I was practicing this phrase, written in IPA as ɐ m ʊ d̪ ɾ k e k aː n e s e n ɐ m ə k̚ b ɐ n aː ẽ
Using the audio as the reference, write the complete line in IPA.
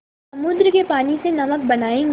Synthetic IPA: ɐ m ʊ d̪ ɾ k e p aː n i s e n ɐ m ə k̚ b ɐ n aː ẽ

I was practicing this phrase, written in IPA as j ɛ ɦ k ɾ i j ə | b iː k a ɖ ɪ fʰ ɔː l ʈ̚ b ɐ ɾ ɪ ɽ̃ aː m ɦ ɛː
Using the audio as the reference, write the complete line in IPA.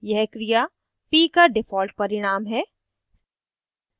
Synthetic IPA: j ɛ ɦ k ɾ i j a | p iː k a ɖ ɪ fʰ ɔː l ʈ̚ p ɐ ɾ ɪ ɽ̃ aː m ɦ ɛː

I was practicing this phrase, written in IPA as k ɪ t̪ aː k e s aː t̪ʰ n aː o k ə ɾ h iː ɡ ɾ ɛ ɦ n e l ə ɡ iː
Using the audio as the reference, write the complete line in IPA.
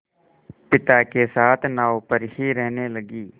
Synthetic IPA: p ɪ t̪ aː k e s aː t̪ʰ n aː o p ə ɾ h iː ɾ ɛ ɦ n e l ə ɡ iː

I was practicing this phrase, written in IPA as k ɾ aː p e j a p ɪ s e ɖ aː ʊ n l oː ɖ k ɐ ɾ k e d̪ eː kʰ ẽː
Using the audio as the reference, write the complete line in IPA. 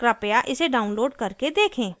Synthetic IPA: k ɾ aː p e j a ʔ ɪ s e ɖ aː ʊ n l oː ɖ k ɐ ɾ k e d̪ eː kʰ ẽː

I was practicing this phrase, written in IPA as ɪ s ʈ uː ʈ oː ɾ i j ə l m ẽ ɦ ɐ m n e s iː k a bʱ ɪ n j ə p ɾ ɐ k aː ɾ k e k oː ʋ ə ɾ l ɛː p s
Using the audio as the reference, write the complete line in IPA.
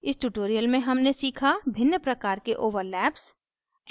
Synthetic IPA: ɪ s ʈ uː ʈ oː ɾ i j ə l m ẽ ɦ ɐ m n e s iː kʰ a bʱ ɪ n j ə p ɾ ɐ k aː ɾ k e ʔ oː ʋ ə ɾ l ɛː p s

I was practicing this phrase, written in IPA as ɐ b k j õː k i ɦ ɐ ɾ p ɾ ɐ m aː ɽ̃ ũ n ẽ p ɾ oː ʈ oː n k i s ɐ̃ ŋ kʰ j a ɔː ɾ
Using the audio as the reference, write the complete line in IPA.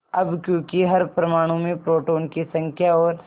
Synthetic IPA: ɐ b k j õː k i ɦ ɐ ɾ p ɾ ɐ m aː ɽ̃ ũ m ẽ p ɾ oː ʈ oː n k i s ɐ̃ ŋ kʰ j a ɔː ɾ

